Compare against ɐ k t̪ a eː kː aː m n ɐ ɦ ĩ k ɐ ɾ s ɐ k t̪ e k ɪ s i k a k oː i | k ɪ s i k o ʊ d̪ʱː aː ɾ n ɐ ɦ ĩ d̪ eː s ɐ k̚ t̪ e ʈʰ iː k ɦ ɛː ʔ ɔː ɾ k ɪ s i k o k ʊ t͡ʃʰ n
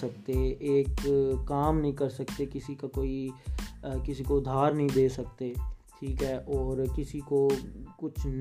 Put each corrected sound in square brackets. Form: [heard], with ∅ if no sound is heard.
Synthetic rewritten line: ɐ k t̪ [e] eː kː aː m n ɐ ɦ ĩ k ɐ ɾ s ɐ k t̪ e k ɪ s i k a k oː i | k ɪ s i k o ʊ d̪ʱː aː ɾ n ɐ ɦ ĩ d̪ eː s ɐ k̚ t̪ e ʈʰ iː k ɦ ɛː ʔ ɔː ɾ k ɪ s i k o k ʊ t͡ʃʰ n